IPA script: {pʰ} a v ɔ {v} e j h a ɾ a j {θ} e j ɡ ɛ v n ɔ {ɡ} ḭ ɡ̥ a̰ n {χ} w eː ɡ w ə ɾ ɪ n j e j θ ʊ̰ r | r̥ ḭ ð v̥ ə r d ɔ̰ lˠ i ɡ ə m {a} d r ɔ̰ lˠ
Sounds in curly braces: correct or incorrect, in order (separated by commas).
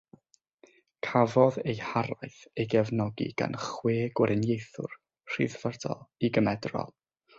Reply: incorrect, incorrect, correct, correct, correct, incorrect